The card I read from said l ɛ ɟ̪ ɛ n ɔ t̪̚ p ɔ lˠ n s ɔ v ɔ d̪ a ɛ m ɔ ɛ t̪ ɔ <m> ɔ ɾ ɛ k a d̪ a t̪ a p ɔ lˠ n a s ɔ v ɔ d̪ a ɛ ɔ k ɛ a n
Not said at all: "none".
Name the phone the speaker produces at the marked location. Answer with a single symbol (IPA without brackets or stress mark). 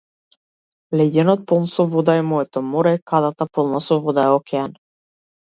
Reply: m